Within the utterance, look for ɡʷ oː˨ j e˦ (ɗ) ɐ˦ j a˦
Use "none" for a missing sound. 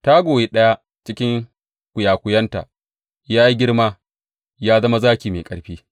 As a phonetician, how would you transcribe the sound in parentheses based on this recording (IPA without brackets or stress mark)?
ɗ